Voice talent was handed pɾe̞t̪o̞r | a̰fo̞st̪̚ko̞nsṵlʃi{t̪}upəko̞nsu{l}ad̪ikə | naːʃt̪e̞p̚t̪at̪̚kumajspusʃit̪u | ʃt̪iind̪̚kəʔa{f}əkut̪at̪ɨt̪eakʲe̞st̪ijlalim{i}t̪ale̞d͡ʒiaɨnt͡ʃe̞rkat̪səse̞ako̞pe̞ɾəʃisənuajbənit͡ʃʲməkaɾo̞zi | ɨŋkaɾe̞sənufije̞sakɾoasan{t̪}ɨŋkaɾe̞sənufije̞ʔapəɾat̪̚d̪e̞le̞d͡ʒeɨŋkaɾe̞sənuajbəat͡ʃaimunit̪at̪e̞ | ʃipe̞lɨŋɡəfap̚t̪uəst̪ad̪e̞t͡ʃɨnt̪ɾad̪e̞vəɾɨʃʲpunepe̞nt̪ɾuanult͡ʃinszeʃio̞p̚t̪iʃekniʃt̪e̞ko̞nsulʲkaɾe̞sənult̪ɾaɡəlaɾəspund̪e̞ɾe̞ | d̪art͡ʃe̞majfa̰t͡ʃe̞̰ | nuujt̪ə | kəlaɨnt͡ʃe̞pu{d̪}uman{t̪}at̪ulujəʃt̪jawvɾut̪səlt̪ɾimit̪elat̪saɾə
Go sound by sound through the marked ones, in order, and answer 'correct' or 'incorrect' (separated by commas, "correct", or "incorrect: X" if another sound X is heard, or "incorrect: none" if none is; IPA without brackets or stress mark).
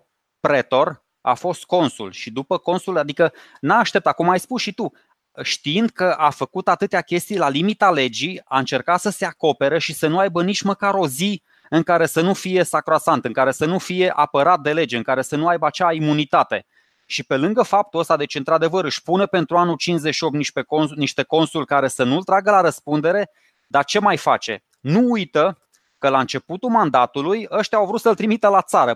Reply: incorrect: d̪, correct, correct, correct, correct, incorrect: t̪, incorrect: d̪